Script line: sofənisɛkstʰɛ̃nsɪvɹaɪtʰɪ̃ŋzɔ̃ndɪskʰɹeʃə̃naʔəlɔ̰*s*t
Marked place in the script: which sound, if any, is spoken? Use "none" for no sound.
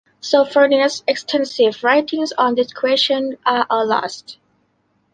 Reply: s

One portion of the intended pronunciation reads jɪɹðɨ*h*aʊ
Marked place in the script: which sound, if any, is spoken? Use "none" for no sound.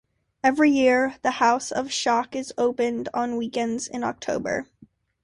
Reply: h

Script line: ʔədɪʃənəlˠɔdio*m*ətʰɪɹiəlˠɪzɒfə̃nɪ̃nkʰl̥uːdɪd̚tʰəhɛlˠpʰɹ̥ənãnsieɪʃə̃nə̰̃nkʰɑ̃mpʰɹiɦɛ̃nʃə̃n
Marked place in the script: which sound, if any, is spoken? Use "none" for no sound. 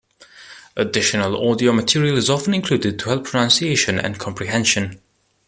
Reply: m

